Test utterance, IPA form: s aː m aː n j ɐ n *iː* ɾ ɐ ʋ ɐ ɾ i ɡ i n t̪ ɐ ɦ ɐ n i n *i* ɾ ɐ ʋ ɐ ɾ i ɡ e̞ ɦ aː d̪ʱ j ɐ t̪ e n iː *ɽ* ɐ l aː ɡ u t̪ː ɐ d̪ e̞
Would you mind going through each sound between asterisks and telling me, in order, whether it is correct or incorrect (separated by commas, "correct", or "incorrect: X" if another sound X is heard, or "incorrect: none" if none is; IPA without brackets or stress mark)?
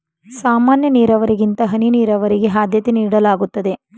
correct, incorrect: iː, correct